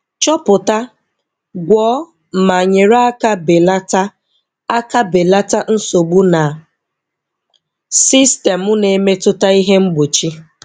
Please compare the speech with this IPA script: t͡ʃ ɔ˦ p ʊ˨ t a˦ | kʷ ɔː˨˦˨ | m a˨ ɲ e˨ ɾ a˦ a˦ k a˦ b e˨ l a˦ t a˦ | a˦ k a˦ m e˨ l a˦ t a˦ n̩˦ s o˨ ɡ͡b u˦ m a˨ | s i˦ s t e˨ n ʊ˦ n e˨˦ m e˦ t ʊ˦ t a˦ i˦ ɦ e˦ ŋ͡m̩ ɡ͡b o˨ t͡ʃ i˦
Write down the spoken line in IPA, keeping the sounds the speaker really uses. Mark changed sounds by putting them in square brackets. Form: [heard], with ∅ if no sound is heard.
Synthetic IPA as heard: t͡ʃ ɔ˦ p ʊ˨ t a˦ | [ɡʷ] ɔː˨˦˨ | m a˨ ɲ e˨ ɾ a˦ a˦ k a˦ b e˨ l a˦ t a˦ | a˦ k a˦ [b] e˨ l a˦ t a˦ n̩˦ s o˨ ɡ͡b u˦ [n] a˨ | s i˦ s t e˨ [m] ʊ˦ n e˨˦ m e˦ t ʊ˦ t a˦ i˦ ɦ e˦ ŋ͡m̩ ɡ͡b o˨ t͡ʃ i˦